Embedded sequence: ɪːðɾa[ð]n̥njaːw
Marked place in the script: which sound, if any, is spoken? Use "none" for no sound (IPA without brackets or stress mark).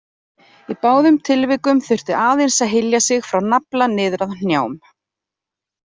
ð